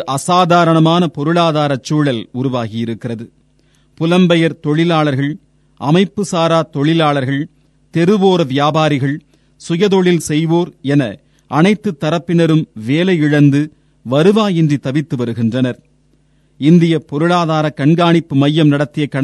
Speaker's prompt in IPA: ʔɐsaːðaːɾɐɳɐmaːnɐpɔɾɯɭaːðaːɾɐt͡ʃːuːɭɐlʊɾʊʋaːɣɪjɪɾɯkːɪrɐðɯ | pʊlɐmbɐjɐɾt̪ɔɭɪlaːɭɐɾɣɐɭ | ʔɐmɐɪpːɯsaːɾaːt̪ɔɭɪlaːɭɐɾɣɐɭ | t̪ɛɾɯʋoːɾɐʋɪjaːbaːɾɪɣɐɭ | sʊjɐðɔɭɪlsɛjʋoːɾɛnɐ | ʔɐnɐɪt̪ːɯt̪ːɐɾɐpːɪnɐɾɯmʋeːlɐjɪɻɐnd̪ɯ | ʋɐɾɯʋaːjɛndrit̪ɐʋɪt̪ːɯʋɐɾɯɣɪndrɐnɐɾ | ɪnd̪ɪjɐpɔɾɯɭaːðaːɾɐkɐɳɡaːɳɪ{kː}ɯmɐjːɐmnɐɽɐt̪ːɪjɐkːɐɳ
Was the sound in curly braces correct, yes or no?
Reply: no